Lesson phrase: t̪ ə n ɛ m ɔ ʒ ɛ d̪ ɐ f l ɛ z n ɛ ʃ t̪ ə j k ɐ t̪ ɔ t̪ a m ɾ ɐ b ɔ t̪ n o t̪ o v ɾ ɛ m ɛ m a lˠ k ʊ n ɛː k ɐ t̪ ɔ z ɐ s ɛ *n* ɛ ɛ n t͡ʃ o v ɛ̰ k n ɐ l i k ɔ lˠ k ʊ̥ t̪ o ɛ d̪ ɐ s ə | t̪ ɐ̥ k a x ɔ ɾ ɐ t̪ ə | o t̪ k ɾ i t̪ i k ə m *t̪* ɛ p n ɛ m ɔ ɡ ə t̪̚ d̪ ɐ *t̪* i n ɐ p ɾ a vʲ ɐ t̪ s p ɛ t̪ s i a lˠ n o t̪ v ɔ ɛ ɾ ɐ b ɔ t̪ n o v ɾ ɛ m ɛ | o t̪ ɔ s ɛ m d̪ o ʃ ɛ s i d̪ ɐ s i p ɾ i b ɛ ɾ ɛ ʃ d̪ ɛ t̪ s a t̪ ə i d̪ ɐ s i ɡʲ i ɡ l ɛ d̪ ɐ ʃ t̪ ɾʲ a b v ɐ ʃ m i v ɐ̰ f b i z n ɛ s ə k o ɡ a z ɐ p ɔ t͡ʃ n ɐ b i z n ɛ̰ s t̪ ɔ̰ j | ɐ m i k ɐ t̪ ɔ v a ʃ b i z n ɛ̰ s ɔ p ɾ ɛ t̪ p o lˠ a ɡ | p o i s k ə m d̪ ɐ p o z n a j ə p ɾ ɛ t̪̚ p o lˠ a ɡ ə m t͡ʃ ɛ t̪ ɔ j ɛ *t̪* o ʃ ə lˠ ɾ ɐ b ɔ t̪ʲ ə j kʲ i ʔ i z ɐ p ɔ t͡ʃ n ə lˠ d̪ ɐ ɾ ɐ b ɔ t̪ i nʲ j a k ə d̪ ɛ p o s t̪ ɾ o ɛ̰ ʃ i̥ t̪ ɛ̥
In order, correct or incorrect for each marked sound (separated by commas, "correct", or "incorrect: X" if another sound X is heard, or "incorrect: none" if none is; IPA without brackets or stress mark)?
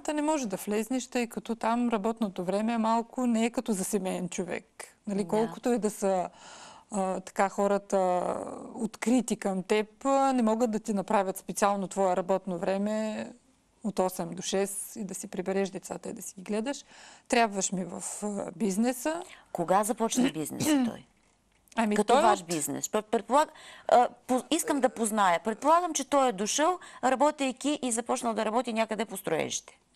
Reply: incorrect: m, correct, correct, incorrect: d̪